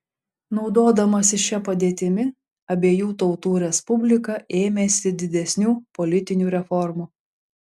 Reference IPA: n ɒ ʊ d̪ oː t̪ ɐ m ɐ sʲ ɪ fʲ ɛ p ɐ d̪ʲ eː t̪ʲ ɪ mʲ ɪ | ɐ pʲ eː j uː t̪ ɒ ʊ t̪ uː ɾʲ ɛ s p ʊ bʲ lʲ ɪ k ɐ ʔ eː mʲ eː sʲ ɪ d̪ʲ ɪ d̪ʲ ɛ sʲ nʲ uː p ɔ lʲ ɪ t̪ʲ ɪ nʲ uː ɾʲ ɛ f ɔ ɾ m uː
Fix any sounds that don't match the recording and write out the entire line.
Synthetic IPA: n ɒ ʊ d̪ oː d̪ ɐ m ɐ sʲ ɪ ʃʲ ɛ p ɐ d̪ʲ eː t̪ʲ ɪ mʲ ɪ | ɐ bʲ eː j uː t̪ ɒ ʊ t̪ uː ɾʲ ɛ s p ʊ bʲ lʲ ɪ k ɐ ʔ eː mʲ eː sʲ ɪ d̪ʲ ɪ d̪ʲ ɛ sʲ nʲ uː p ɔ lʲ ɪ t̪ʲ ɪ nʲ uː ɾʲ ɛ f ɔ ɾ m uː